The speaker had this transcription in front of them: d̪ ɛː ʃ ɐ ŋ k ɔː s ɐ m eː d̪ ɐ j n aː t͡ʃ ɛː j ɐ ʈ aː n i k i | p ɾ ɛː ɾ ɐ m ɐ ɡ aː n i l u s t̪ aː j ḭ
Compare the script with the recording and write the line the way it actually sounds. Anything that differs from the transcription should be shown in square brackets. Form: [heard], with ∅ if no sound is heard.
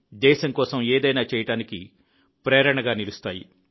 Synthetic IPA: d̪ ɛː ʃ ɐ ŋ k ɔː s ɐ m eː d̪ ɐ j n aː t͡ʃ ɛː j ɐ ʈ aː n i k i | p ɾ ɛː ɾ ɐ [ɳ] ɐ ɡ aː n i l u s t̪ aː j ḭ